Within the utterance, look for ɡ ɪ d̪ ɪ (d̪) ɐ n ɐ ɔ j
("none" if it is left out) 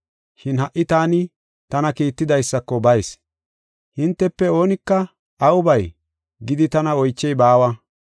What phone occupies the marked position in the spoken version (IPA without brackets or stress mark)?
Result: t̪